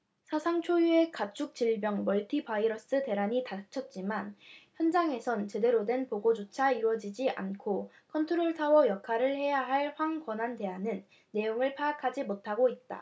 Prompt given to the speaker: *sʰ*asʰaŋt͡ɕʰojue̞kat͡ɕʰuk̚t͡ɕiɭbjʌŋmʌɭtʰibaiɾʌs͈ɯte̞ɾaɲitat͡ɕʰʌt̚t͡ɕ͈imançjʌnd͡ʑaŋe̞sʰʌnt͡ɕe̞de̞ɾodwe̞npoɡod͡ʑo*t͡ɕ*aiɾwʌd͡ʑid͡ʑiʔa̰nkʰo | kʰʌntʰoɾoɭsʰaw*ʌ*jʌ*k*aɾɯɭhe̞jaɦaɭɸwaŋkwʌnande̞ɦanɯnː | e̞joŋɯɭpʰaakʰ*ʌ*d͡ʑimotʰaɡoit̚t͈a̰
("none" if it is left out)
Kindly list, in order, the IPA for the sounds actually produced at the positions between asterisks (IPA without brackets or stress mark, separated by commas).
sʰ, t͡ɕʰ, ʌ, kʰ, a